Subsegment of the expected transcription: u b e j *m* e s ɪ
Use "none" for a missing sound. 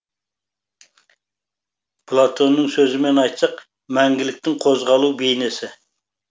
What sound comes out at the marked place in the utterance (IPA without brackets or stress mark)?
n